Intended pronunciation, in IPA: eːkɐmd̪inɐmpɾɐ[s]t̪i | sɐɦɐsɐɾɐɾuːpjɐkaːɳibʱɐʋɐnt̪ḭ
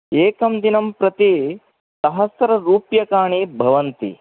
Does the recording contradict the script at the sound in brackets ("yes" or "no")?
yes